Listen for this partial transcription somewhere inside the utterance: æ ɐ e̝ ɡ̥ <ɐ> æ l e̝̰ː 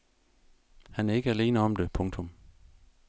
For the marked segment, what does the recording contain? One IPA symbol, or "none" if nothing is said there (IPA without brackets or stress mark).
ə